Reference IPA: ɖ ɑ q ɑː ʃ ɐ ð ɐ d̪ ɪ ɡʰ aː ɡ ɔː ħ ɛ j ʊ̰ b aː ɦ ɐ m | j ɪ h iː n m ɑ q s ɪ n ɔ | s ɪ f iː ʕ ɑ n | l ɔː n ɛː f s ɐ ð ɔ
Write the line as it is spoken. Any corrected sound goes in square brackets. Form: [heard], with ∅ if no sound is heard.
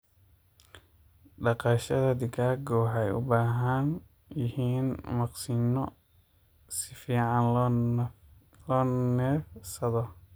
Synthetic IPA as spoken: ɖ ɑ q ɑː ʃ ɐ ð ɐ d̪ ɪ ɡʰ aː ɡ ɔː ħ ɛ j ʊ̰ b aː ɦ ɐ [n] | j ɪ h iː n m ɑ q s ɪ n ɔ | s ɪ f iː ʕ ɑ n | l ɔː n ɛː f s ɐ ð ɔ